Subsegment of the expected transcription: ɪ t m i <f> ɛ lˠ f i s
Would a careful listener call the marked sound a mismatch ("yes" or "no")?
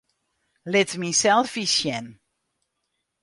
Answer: yes